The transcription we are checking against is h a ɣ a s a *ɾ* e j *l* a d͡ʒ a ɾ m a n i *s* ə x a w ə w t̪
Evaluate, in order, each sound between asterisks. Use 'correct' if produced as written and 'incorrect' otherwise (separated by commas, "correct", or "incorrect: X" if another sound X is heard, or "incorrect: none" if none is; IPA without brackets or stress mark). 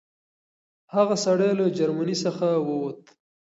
incorrect: ɽ, correct, correct